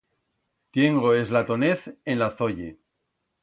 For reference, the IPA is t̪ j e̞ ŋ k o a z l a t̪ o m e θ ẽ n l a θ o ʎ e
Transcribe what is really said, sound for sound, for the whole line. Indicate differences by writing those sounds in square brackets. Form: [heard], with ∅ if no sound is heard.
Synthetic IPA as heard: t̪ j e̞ ŋ [ɡ] o [e] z l a t̪ o [n] e θ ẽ n l a θ o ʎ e

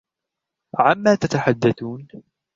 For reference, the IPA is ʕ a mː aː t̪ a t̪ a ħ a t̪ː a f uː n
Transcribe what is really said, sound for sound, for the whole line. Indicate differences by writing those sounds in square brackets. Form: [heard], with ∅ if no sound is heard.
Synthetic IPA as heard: ʕ a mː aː t̪ a t̪ a ħ a [d̪ː] a [θ] uː n

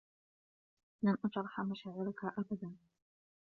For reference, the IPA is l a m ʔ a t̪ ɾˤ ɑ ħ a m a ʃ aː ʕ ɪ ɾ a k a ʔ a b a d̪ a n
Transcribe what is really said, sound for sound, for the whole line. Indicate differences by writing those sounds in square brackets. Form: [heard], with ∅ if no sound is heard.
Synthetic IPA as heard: l a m ʔ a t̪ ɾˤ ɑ ħ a m a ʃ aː ʕ ɪ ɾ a k a ʔ a b a d̪ a n

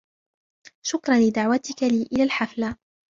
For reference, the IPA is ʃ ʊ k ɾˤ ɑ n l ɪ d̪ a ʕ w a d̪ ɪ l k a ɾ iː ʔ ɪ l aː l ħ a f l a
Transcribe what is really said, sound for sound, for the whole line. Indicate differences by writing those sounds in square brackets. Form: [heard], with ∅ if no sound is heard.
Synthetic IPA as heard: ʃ ʊ k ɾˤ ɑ n l ɪ d̪ a ʕ w a [t̪] ɪ [∅] k a [l] iː ʔ ɪ l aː l ħ a f l a

